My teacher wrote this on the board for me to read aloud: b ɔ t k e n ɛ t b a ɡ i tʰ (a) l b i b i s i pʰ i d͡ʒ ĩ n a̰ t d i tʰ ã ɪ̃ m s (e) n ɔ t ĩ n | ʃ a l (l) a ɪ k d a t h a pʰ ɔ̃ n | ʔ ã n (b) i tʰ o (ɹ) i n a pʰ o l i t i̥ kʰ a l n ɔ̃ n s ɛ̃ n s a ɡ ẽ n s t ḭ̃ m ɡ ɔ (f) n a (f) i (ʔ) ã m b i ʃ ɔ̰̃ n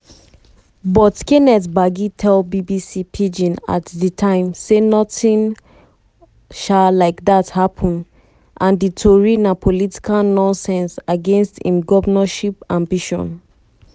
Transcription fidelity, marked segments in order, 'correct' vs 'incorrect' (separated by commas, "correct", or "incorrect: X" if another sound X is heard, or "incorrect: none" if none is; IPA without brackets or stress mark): incorrect: ɛ, correct, correct, incorrect: d, correct, incorrect: v, incorrect: ʃ, incorrect: p